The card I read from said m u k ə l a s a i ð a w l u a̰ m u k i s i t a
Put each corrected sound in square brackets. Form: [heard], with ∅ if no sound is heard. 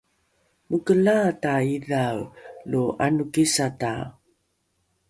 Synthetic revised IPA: m u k ə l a [t] a i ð a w l u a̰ [n] u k i s [a] t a